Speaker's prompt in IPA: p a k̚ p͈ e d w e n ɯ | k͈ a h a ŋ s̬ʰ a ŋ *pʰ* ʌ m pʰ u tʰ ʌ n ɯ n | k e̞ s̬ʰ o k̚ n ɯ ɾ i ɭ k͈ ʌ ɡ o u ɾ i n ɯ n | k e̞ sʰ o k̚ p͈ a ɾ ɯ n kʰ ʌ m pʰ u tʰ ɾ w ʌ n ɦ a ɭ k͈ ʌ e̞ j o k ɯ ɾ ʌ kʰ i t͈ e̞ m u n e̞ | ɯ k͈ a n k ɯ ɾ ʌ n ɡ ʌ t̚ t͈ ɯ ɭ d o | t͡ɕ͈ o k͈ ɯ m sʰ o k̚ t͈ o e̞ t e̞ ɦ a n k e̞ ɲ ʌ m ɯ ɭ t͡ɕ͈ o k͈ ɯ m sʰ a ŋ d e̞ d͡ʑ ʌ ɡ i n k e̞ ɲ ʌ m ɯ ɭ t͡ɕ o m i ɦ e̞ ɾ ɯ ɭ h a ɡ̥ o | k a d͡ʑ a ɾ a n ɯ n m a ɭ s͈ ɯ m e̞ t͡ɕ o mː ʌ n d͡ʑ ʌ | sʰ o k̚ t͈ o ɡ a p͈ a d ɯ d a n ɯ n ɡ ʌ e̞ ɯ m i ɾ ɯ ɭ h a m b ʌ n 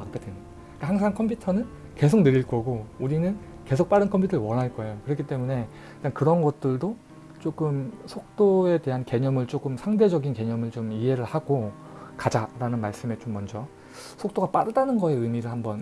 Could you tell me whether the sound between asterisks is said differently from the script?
yes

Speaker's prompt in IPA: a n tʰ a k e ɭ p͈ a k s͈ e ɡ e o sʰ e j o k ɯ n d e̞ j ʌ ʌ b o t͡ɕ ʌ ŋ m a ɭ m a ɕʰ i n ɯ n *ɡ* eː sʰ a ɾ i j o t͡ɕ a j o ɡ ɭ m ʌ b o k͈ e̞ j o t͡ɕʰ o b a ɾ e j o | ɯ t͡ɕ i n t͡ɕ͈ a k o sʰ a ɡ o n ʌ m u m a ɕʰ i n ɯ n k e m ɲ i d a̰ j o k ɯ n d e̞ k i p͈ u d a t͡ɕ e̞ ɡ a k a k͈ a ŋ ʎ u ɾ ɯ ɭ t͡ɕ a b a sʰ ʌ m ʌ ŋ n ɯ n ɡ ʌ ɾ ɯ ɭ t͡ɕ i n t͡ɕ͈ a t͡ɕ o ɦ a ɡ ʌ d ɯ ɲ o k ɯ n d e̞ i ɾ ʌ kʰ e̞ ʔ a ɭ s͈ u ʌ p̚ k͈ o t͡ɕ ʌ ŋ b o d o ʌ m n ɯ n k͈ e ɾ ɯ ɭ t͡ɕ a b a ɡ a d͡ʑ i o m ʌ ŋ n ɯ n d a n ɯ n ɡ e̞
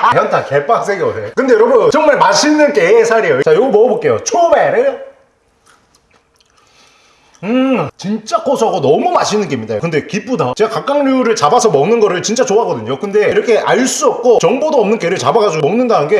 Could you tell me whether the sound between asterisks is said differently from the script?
yes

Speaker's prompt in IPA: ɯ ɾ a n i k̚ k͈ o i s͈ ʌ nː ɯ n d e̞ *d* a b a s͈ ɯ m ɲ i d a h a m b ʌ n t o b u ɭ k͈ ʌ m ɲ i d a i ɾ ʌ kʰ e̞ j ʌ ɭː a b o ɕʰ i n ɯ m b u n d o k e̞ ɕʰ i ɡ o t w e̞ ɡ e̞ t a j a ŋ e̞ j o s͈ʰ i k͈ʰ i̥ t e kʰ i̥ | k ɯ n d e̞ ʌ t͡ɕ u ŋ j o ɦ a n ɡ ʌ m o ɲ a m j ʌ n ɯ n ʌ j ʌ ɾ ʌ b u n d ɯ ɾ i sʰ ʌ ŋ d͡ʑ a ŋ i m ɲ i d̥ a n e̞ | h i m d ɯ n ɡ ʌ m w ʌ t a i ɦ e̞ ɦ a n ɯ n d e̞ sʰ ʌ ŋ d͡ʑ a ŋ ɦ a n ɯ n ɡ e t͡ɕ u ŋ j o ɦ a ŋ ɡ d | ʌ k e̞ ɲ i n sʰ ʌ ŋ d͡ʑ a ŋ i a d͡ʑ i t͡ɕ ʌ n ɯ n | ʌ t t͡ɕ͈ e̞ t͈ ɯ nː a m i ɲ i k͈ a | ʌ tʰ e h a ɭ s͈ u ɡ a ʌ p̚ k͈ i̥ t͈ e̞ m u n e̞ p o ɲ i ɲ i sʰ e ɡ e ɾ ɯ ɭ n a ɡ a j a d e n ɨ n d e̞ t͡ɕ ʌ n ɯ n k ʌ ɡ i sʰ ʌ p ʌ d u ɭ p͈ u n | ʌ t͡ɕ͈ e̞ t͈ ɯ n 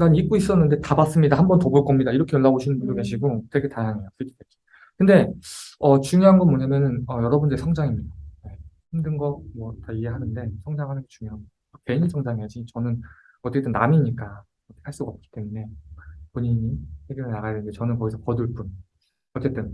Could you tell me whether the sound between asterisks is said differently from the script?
yes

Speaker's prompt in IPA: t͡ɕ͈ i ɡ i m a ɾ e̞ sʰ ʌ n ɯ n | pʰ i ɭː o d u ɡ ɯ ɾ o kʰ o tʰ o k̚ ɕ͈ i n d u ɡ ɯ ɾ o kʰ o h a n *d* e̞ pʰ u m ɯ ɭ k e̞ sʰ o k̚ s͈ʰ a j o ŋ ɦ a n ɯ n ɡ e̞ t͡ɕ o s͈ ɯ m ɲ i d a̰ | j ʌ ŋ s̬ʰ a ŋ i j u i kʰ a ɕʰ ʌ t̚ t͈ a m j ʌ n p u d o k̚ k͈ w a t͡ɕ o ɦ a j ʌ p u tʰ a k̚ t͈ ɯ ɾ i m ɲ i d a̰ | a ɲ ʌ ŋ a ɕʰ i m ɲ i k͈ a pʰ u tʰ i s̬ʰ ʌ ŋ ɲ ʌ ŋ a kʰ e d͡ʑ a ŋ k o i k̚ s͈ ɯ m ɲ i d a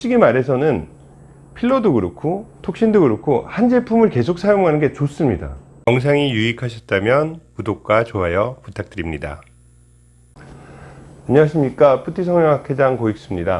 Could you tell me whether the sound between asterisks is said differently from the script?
yes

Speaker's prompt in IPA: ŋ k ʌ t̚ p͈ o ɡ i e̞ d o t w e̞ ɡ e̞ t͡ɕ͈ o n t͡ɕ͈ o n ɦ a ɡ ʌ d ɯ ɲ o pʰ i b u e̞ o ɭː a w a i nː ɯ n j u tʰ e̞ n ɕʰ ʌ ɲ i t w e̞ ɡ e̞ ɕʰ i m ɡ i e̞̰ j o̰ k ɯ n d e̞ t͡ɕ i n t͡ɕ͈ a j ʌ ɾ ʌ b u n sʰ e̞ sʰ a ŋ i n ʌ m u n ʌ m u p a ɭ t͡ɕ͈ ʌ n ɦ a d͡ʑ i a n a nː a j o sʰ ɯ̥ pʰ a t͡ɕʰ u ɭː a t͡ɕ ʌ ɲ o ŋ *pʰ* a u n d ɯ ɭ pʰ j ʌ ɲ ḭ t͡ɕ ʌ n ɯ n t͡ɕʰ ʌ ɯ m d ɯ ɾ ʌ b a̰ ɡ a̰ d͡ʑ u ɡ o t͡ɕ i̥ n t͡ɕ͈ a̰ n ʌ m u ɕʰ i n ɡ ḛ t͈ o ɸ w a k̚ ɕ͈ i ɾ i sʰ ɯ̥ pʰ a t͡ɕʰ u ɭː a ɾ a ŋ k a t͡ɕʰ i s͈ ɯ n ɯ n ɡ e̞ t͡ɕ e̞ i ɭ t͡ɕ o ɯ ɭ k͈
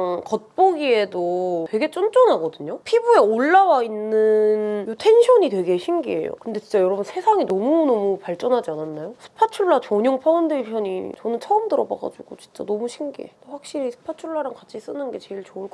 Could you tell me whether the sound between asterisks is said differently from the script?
no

